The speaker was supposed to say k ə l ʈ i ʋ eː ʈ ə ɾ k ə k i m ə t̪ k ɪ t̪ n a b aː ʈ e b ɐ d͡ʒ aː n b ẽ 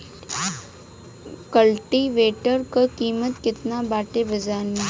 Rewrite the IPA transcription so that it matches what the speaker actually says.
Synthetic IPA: k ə l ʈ i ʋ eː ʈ ə ɾ k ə k iː m ə t̪ k ɪ t̪ n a b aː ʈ e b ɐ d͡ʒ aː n m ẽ